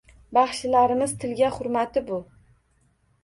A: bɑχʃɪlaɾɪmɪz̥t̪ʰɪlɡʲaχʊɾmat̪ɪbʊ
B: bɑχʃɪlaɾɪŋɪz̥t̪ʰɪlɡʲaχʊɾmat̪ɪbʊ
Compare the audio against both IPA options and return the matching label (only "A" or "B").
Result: A